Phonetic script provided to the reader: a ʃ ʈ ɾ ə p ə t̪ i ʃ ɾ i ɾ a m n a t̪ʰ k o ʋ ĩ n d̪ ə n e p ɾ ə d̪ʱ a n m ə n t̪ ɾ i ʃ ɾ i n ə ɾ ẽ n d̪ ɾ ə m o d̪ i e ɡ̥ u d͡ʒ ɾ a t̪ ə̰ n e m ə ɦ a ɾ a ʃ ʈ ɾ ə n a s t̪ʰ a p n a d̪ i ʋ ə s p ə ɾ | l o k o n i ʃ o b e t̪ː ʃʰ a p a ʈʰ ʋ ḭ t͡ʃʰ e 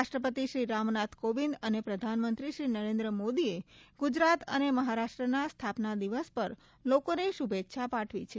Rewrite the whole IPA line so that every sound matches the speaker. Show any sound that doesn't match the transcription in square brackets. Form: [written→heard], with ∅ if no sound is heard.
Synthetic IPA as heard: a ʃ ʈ ɾ ə p ə t̪ i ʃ ɾ i ɾ a m n a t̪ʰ k o ʋ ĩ n d̪ ə n e p ɾ ə d̪ʱ a n m ə n t̪ ɾ i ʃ ɾ i n ə ɾ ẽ n d̪ ɾ ə m o d̪ i e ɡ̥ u d͡ʒ ɾ a t̪ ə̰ n e m ə ɦ a ɾ a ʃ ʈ ɾ ə n a s t̪ʰ a p n a d̪ i ʋ ə s p ə ɾ | l o k o n [i→e] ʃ [o→u] b e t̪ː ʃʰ a p a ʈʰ ʋ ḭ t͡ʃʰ e